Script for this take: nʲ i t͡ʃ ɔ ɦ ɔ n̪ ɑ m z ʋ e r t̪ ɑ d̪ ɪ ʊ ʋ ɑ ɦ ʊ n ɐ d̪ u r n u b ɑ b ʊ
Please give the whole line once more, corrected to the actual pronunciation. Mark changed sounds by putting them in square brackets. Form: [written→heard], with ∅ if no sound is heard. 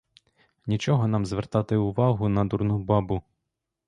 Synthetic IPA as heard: nʲ i t͡ʃ ɔ ɦ ɔ n̪ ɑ m z ʋ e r t̪ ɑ [d̪→t̪] ɪ ʊ ʋ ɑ ɦ ʊ n ɐ d̪ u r n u b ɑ b ʊ